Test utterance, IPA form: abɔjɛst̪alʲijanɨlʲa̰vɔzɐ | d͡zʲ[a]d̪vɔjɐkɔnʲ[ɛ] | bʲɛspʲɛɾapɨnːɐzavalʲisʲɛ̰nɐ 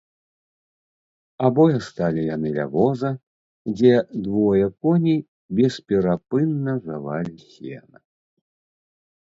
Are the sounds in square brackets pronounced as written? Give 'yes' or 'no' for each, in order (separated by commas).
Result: no, no